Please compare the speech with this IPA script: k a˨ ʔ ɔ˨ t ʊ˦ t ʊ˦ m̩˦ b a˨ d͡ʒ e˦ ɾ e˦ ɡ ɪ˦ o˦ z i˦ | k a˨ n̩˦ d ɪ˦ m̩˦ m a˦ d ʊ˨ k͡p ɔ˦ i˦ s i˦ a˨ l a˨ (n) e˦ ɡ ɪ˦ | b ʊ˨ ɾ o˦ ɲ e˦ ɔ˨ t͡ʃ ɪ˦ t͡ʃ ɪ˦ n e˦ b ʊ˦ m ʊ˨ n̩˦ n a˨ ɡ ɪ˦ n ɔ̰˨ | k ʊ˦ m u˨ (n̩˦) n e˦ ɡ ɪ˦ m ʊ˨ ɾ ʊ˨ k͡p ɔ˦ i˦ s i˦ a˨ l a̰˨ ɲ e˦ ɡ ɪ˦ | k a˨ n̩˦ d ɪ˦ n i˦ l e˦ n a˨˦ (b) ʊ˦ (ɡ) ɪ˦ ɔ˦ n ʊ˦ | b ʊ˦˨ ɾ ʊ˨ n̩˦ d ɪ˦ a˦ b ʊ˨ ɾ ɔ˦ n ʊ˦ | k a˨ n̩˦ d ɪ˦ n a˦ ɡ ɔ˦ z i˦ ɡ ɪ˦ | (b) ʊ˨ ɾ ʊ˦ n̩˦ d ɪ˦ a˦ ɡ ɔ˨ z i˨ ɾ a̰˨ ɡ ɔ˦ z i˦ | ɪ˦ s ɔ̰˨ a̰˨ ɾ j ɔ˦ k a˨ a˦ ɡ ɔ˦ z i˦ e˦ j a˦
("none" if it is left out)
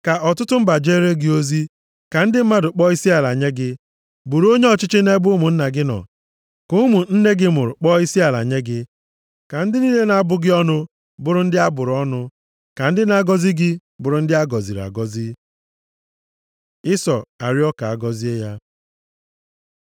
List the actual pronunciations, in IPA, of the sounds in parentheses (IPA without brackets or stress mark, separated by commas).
ɲ, n̩˦, b, ɡ, b